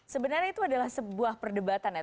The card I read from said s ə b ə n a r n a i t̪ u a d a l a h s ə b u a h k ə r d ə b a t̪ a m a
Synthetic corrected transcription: s ə b ə n a r ɲ a i t̪ u a d a l a h s ə b u a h p ə r d ə b a t̪ a n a